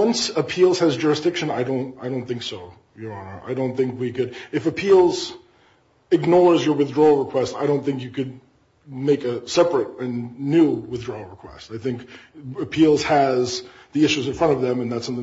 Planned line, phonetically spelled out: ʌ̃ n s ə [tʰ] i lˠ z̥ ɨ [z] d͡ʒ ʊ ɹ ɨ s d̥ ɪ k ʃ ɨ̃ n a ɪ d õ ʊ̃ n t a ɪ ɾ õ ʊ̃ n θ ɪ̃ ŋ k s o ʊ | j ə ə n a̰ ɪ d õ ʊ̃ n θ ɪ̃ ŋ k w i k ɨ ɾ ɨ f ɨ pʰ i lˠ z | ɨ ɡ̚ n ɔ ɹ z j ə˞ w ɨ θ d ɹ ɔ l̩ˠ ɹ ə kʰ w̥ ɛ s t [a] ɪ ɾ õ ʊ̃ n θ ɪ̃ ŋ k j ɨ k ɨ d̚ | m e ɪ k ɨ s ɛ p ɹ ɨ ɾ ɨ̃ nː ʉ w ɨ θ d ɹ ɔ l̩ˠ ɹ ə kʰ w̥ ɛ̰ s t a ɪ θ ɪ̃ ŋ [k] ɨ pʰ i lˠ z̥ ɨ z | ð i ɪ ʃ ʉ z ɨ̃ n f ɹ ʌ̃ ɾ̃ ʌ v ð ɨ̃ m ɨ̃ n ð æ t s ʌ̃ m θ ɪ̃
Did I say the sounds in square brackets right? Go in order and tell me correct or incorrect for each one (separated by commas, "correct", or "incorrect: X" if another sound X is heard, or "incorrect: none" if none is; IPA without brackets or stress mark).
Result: incorrect: pʰ, correct, correct, correct